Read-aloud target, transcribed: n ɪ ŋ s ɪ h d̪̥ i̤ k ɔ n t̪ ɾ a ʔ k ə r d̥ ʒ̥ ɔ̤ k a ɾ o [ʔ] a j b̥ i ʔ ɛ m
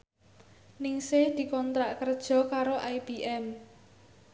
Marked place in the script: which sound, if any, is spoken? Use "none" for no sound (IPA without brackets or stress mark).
ʔ